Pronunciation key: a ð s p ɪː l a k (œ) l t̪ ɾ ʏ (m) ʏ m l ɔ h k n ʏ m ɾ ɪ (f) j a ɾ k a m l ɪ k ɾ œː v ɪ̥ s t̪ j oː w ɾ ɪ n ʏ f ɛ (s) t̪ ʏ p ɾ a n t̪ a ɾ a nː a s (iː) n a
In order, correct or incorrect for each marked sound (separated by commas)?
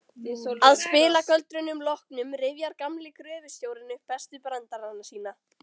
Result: correct, incorrect, incorrect, correct, correct